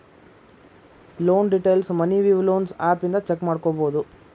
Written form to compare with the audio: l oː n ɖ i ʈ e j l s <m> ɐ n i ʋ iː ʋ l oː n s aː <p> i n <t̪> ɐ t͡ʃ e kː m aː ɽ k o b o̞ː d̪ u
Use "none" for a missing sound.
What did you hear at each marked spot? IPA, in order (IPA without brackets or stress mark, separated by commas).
m, p, d̪